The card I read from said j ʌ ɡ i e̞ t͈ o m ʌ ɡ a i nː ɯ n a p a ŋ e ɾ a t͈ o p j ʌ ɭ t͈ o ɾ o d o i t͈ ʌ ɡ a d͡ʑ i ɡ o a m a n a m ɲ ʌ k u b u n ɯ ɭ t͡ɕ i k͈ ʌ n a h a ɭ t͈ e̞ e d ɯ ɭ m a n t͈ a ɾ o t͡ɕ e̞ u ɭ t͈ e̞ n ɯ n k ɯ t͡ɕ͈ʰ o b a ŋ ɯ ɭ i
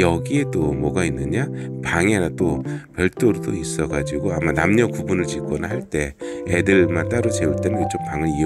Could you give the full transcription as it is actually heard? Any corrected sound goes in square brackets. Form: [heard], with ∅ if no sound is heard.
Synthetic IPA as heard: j ʌ ɡ i e̞ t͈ o m ʌ ɡ a i nː ɯ [ɲ] a p a ŋ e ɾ a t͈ o p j ʌ ɭ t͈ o ɾ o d o i [s͈] ʌ ɡ a d͡ʑ i ɡ o a m a n a m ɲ ʌ k u b u n ɯ ɭ t͡ɕ i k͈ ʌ n a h a ɭ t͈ e̞ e d ɯ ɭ m a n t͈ a ɾ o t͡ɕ e̞ u ɭ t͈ e̞ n ɯ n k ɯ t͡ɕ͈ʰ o [p] a ŋ ɯ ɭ i